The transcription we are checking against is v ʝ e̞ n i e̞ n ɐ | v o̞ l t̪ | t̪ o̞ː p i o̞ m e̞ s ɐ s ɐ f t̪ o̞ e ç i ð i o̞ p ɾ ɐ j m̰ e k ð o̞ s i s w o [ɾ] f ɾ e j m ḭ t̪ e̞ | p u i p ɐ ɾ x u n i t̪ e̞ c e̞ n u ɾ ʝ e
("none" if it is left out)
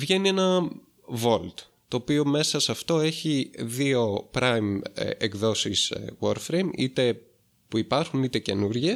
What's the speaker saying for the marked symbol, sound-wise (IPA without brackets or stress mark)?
ɾ